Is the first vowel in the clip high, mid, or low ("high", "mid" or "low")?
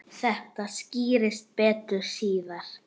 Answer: mid